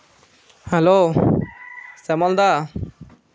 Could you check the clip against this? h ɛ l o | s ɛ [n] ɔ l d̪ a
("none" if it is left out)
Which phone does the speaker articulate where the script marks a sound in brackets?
m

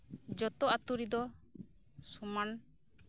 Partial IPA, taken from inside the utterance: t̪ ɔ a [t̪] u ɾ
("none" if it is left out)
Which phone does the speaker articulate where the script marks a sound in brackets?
t̪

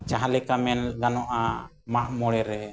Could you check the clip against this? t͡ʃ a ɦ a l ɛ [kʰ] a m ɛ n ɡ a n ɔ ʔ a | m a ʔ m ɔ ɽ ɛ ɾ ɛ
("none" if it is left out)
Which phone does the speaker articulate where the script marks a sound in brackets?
k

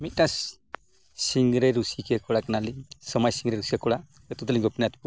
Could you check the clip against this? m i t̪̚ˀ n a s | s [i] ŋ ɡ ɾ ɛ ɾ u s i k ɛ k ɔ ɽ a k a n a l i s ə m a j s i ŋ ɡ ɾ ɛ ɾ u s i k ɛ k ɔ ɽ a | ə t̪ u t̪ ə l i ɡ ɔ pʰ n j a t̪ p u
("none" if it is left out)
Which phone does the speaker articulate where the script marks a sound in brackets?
i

